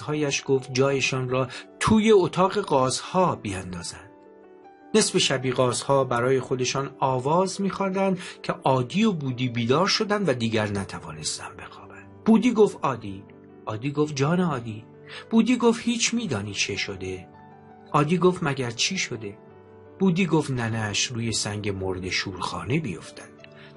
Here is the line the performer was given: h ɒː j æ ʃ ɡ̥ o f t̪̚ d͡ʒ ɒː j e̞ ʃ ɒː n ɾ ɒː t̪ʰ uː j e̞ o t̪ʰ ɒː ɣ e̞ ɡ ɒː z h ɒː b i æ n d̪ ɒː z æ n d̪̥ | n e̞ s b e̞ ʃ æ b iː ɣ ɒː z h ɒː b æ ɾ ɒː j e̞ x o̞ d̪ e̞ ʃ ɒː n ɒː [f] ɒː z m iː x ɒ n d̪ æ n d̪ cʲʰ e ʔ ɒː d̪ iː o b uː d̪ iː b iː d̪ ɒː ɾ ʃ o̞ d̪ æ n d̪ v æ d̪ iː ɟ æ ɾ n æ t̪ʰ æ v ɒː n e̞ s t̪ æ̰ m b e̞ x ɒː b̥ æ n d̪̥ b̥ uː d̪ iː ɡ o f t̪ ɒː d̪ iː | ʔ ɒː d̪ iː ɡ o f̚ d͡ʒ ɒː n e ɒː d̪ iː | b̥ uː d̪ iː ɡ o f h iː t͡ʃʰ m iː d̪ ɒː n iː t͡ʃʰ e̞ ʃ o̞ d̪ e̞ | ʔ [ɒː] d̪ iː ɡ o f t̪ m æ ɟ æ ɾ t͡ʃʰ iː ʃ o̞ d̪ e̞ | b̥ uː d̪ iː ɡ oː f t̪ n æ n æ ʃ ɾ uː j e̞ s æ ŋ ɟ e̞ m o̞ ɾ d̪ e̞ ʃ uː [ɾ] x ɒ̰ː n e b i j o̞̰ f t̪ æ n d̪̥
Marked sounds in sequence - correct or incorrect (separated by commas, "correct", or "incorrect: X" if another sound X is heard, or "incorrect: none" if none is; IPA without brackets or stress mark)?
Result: incorrect: v, correct, correct